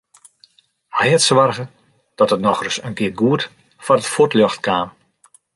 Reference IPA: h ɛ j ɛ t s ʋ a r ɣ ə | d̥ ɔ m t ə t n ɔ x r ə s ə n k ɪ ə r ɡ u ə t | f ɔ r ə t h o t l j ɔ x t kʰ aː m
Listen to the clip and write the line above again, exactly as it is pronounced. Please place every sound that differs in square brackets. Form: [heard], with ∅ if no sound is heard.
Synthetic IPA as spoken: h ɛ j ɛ t s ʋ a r ɣ ə | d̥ ɔ [∅] t ə t n ɔ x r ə s ə n k ɪ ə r ɡ u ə t | f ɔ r ə t [f] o t l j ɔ x t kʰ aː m